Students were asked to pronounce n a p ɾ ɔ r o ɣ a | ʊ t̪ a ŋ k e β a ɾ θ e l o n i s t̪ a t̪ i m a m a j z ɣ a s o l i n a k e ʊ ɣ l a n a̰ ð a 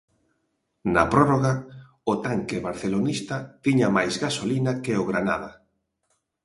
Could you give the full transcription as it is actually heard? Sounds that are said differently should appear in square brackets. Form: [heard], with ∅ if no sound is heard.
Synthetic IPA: n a p ɾ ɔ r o ɣ a | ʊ t̪ a ŋ k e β a ɾ θ e l o n i s t̪ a t̪ i [ɲ] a m a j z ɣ a s o l i n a k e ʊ ɣ [ɾ] a n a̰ ð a